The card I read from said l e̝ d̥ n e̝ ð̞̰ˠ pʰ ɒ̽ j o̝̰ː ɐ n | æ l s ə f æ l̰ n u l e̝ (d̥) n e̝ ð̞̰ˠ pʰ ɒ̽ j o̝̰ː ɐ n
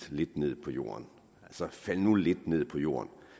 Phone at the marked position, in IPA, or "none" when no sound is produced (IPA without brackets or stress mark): d̥